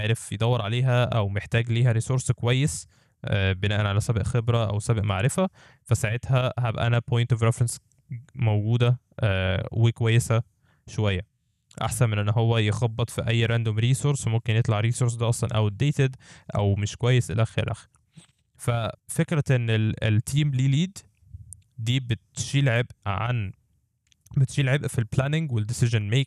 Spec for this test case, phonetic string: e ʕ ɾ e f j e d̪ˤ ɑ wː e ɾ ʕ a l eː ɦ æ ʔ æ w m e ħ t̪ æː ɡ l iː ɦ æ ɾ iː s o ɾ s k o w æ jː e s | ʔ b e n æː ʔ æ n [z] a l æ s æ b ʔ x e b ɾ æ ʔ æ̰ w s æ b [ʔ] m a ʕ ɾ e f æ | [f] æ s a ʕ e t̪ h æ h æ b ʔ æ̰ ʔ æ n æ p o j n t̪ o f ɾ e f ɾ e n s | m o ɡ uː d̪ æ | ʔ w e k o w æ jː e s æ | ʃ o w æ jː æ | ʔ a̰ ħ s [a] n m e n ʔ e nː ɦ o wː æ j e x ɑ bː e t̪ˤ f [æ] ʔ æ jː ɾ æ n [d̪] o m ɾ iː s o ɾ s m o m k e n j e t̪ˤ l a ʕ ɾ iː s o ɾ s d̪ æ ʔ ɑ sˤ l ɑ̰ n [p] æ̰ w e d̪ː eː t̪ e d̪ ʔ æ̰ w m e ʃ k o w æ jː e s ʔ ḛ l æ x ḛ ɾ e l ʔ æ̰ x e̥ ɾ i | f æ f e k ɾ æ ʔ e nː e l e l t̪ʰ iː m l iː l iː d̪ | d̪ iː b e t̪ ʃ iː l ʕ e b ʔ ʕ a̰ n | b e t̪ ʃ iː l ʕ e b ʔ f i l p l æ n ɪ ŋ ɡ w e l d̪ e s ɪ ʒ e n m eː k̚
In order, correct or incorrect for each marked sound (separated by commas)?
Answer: incorrect, correct, correct, incorrect, incorrect, correct, incorrect